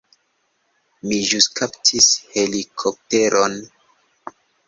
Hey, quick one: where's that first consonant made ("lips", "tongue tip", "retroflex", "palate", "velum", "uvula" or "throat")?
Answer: lips